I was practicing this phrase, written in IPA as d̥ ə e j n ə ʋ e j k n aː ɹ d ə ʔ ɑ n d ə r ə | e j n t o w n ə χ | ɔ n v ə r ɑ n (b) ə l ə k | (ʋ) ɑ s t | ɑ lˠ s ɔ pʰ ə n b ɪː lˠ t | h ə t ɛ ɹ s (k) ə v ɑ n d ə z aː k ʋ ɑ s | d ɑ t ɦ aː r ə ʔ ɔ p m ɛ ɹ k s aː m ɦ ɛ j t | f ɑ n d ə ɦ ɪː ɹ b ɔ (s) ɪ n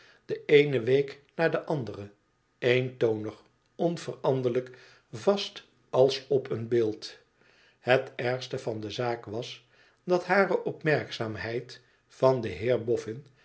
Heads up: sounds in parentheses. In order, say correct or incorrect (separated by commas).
incorrect, incorrect, incorrect, incorrect